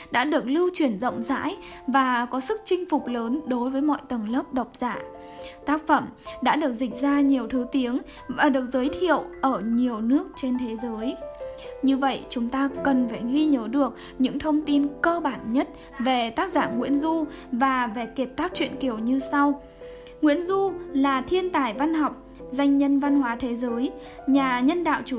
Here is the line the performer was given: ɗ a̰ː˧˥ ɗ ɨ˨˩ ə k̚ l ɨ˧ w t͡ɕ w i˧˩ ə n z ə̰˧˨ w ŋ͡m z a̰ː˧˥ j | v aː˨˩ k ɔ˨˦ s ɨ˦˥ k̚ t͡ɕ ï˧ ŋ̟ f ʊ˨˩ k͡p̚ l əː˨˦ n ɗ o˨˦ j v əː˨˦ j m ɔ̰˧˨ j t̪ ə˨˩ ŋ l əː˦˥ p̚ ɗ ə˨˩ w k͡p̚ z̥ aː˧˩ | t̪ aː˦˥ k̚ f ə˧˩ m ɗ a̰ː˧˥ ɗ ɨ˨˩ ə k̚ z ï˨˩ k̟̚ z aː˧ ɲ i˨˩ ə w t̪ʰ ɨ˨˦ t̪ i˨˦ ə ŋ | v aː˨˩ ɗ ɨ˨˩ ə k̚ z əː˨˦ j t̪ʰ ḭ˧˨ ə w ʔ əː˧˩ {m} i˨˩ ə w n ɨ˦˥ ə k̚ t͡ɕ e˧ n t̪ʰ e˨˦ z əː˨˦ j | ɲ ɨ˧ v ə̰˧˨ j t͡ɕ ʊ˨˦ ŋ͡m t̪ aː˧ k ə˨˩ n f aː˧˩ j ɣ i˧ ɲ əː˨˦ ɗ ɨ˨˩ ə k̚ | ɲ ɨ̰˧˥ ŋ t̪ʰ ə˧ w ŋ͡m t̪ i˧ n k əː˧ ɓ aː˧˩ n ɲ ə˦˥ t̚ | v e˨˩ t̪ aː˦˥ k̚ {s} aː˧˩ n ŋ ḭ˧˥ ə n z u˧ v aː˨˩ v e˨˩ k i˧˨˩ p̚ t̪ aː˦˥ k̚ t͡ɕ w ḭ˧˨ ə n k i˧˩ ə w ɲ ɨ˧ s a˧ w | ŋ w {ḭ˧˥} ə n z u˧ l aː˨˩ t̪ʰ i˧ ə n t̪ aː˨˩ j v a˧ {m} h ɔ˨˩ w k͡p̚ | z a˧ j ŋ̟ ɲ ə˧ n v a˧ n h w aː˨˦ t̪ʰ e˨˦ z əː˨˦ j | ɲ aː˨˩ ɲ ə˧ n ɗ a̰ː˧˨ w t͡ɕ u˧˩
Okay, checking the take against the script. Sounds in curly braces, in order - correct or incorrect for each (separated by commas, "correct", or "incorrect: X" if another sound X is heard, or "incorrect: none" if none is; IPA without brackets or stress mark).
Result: incorrect: ɲ, incorrect: z, correct, incorrect: n